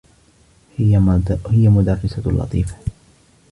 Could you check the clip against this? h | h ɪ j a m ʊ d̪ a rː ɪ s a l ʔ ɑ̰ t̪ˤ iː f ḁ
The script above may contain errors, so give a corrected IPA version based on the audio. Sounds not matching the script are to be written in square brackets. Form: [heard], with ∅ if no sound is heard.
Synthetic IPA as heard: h | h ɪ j a m ʊ d̪ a rː ɪ s a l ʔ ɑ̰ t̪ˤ iː f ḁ